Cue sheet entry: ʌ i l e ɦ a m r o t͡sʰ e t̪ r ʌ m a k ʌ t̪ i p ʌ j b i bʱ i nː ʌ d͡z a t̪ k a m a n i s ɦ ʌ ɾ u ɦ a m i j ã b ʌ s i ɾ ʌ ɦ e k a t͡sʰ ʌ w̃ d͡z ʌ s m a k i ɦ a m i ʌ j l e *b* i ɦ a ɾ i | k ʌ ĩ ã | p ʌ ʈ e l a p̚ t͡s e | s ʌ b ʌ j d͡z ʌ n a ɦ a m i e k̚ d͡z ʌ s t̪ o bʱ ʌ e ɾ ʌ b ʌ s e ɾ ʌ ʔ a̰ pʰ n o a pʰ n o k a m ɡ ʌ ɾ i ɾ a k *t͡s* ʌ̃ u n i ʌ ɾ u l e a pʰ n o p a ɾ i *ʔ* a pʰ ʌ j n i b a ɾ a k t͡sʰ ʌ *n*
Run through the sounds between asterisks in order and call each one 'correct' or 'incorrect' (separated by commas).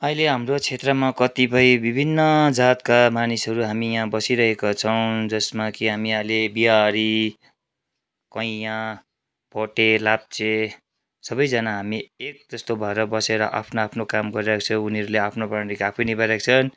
correct, incorrect, incorrect, correct